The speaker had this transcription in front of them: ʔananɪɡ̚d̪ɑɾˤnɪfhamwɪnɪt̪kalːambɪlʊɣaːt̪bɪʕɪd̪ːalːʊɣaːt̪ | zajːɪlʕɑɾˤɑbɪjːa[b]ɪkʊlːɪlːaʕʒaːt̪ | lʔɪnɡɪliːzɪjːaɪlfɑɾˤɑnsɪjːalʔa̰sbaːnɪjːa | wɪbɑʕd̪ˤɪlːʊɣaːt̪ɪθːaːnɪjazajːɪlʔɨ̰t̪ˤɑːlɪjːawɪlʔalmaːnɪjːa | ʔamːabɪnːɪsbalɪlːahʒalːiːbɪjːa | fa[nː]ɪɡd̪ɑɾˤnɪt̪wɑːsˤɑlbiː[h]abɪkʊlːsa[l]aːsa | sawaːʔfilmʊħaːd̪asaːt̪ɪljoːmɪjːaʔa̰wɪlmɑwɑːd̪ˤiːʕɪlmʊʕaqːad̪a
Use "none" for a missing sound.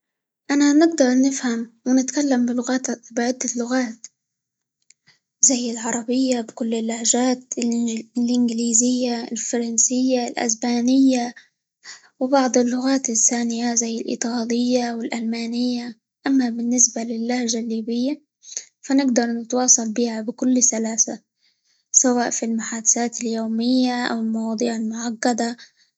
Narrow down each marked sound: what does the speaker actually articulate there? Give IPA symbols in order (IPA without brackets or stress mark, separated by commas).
b, n, h, l